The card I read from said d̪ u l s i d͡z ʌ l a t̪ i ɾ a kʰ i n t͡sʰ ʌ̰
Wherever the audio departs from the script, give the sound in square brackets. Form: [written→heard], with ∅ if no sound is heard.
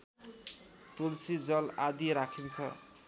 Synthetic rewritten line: [d̪→t̪] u l s i d͡z ʌ l a [t̪→d̪] i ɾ a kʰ i n t͡sʰ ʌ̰

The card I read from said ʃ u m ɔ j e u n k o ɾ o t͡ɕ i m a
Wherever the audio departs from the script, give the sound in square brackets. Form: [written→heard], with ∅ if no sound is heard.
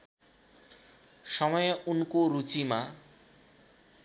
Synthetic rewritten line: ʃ [u→ɔ] m ɔ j e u n k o ɾ [o→u] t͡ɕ i m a

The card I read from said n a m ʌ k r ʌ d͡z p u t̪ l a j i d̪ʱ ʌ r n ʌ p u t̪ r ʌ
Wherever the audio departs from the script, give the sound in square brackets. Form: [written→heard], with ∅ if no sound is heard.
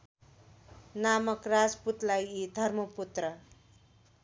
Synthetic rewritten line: n a m ʌ k r [ʌ→a] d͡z p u t̪ l a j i d̪ʱ ʌ r [n→m] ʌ p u t̪ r ʌ

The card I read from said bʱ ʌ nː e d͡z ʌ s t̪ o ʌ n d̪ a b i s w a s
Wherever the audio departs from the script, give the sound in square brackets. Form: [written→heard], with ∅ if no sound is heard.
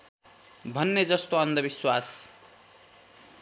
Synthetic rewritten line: bʱ ʌ nː e d͡z ʌ s t̪ o ʌ n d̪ [a→ʌ] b i s w a s

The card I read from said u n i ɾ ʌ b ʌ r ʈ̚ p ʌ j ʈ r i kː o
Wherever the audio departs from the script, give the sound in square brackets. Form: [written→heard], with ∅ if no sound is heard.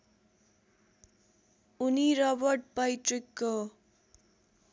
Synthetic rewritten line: u n i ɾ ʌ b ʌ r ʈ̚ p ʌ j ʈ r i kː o

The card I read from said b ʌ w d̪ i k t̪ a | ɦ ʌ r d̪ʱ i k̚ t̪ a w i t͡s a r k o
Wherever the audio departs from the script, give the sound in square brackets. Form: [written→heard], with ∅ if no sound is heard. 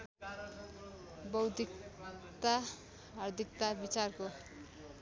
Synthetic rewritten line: b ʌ w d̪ i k t̪ a | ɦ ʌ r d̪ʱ i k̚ t̪ a [w→b] i t͡s a r k o

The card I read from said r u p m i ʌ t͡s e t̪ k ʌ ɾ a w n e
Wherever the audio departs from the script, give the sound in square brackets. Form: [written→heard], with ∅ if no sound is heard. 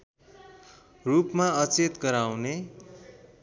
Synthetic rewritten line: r u p m [i→a] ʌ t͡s e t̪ [k→ɡ] ʌ ɾ a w n e

